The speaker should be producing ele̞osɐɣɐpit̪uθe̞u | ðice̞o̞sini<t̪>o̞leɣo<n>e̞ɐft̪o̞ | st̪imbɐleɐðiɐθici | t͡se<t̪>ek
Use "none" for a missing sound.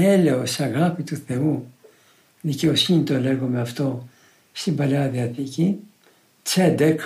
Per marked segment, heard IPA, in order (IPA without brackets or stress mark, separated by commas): t̪, m, d̪